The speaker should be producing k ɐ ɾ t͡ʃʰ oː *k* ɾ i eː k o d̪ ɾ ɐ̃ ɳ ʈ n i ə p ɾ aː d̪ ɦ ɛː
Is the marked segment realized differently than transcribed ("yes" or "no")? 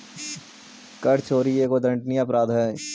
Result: yes